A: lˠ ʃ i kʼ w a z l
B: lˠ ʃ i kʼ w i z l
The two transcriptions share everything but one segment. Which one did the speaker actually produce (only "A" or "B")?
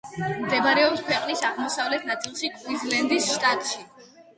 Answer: B